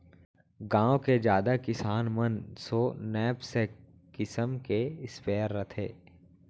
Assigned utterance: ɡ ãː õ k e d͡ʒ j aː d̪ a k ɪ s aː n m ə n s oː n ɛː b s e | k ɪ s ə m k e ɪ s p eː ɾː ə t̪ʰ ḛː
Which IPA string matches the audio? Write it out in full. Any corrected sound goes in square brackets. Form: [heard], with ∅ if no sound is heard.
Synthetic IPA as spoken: ɡ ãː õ k e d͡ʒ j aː d̪ a k ɪ s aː n m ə n s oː n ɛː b s e | k ɪ s ə m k e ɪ s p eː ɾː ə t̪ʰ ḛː

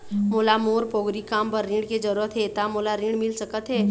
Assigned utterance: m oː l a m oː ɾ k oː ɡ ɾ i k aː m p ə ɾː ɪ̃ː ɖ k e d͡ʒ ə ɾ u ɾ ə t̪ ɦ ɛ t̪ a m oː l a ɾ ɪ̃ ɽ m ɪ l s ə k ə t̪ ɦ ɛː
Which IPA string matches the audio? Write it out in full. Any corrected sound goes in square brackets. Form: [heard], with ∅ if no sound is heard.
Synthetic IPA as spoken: m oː l a m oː ɾ [p] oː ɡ ɾ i k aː m p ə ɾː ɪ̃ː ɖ k e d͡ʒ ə ɾ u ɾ ə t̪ ɦ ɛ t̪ a m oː l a ɾ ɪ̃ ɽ m ɪ l s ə k ə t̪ ɦ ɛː

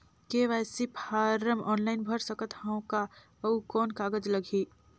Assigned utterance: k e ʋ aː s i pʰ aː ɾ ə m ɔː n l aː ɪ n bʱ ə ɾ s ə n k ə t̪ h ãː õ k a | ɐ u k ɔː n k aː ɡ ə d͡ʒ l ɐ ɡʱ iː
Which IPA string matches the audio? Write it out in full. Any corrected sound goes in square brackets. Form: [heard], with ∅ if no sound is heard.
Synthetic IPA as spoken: k e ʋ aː s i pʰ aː ɾ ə m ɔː n l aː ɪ n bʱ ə ɾ s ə [∅] k ə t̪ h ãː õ k a | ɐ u k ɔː n k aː ɡ ə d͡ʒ l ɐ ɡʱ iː

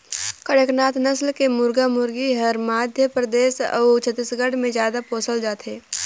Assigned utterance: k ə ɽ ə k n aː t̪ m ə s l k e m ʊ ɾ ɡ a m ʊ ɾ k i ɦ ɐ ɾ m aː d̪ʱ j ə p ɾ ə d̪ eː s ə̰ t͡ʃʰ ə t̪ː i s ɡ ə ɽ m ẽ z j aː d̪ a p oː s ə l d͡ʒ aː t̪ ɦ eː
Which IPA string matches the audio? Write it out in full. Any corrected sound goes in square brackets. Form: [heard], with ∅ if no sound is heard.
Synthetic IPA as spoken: k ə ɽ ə k n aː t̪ [n] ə s l k e m ʊ ɾ ɡ a m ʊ ɾ [ɡ] i ɦ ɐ ɾ m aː d̪ʱ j ə p ɾ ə d̪ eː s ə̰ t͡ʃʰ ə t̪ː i s ɡ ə ɽ m ẽ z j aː d̪ a p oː s ə l d͡ʒ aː t̪ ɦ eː

